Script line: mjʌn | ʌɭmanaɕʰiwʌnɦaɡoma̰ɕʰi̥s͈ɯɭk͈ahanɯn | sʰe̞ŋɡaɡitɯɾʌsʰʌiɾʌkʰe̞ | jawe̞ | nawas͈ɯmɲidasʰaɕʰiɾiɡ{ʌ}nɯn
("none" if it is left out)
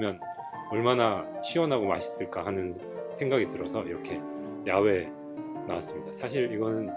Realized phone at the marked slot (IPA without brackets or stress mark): ʌ